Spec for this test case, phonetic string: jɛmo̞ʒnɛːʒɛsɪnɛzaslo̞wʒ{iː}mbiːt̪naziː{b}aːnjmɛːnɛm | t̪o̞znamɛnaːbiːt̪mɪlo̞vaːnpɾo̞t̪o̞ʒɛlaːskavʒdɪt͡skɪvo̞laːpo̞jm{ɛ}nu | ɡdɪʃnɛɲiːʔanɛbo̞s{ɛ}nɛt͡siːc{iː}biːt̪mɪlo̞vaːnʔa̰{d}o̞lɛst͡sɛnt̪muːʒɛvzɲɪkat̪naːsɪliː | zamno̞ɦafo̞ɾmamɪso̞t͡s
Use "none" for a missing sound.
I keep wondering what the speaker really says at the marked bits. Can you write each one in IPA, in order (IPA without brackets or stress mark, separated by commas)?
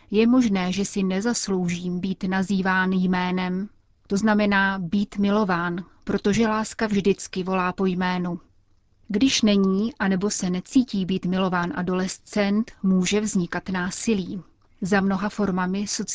iː, v, ɛː, ɛ, iː, d